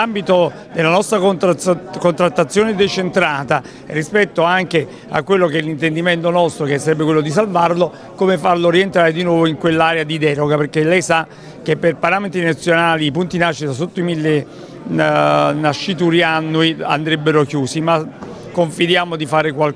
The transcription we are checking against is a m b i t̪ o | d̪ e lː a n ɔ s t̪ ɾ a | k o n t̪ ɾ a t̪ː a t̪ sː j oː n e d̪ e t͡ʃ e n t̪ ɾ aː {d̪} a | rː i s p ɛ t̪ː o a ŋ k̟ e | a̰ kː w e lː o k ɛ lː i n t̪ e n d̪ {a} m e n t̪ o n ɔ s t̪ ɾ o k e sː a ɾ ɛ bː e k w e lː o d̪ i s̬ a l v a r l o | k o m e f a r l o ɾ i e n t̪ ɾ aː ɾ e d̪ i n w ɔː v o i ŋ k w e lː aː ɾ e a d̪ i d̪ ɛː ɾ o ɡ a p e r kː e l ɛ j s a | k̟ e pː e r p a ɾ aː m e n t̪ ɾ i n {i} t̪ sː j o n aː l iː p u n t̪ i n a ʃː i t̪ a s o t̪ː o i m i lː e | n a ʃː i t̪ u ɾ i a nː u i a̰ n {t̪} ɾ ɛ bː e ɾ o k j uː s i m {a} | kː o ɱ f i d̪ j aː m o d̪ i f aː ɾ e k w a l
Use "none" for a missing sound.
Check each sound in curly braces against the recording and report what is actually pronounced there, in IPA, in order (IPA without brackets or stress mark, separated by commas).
t̪, i, a, d̪, a